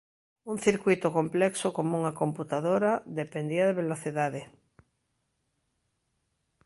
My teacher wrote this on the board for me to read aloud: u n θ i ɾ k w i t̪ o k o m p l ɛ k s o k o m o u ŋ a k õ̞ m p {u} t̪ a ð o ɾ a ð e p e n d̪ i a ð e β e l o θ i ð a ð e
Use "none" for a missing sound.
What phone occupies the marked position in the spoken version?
u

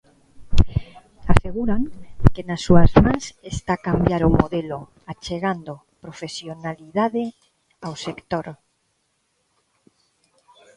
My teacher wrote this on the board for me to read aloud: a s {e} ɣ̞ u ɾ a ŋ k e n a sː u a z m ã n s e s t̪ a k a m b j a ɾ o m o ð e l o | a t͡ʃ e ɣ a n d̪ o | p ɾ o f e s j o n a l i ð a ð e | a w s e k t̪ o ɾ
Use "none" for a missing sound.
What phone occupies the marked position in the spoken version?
e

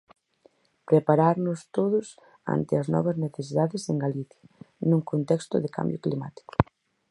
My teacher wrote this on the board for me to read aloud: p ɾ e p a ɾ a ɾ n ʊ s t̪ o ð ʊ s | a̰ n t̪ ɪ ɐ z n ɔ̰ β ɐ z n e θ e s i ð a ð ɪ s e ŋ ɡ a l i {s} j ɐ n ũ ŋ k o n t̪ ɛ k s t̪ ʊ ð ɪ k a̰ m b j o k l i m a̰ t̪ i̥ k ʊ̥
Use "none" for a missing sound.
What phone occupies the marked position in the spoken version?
θ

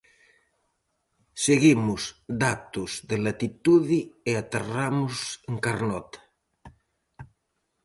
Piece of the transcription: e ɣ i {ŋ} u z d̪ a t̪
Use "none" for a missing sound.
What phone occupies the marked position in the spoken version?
m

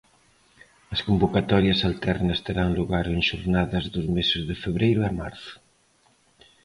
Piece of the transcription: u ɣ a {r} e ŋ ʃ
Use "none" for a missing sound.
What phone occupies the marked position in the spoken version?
ɾ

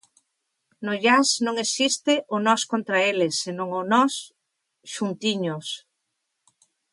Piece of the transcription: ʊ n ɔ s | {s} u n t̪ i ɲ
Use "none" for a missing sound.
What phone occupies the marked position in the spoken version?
ʃ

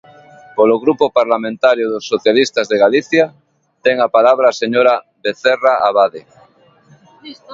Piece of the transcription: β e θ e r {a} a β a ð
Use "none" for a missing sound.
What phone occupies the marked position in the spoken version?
a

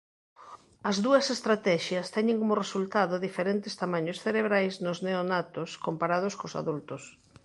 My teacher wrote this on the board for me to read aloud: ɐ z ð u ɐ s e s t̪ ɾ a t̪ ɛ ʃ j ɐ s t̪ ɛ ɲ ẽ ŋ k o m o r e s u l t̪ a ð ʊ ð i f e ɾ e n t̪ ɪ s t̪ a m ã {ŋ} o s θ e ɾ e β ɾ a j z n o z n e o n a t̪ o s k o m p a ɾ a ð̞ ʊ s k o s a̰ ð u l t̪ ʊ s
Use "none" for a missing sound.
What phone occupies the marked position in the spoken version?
ɲ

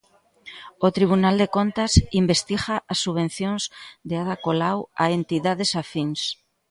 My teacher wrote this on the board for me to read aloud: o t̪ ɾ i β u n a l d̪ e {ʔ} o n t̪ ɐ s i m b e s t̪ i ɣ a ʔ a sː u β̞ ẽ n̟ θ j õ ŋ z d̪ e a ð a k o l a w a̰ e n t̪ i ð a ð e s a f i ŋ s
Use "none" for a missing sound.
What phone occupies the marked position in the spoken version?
k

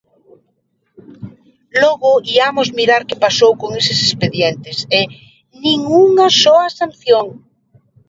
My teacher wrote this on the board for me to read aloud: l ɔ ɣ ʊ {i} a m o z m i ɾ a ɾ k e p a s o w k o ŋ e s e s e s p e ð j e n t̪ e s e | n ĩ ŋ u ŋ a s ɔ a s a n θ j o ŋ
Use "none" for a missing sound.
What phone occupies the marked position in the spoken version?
i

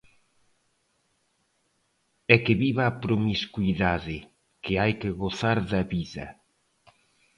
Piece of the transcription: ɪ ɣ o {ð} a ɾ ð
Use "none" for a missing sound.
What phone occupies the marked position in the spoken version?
θ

